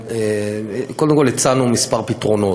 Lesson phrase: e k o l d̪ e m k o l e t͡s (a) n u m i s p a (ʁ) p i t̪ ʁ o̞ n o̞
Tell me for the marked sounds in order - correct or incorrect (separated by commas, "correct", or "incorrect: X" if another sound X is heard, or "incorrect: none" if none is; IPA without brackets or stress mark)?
correct, correct